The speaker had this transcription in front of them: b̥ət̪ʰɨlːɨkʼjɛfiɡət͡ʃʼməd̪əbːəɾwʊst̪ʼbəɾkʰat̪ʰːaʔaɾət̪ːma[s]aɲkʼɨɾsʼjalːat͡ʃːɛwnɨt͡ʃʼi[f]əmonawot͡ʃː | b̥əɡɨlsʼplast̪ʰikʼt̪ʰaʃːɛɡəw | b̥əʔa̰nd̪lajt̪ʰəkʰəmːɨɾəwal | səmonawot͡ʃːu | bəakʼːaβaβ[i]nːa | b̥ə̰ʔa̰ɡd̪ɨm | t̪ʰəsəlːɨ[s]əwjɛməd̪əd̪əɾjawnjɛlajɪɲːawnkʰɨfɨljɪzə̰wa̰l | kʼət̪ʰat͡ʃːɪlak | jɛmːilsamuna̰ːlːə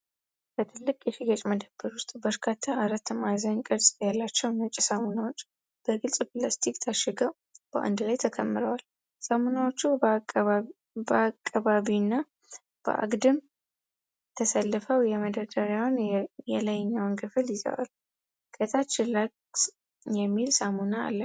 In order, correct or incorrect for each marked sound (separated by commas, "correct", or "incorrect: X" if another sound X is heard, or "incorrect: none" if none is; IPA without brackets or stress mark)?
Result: incorrect: z, incorrect: s, correct, incorrect: f